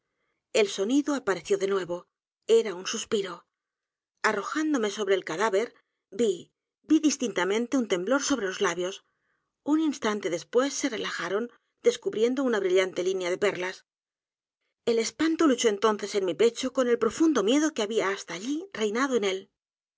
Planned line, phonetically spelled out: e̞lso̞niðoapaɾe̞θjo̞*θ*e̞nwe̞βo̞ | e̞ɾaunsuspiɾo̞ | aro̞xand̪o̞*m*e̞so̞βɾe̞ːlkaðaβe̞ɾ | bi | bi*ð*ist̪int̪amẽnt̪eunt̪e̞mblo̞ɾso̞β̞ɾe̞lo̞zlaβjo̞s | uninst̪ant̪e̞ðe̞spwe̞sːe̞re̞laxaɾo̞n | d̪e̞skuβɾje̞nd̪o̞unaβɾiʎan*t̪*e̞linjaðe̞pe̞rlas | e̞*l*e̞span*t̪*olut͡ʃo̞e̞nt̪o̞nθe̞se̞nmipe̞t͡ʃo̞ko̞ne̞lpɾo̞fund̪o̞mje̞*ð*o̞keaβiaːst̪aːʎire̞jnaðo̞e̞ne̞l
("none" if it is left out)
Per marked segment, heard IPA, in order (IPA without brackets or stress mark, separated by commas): ð, m, ð, t̪, l, t̪, ð